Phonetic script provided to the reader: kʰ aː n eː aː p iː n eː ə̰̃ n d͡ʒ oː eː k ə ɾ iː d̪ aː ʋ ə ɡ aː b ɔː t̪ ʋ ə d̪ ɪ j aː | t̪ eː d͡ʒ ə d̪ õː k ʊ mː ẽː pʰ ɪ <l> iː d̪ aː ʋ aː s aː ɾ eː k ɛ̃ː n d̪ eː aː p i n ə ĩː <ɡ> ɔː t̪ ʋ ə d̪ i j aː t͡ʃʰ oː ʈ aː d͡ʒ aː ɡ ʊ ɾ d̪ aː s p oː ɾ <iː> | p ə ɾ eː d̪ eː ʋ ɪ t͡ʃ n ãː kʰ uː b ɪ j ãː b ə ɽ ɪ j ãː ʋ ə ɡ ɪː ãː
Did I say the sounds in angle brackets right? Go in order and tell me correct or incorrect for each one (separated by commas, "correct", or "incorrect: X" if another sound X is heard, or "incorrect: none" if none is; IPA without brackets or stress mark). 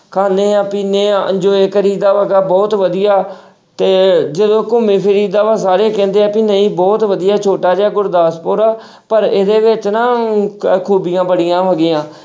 incorrect: ɾ, incorrect: b, incorrect: aː